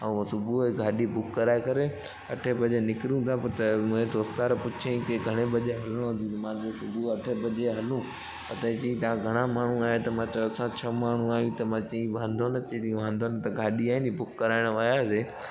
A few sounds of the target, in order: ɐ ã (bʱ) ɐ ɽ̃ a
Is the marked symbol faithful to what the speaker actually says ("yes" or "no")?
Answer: no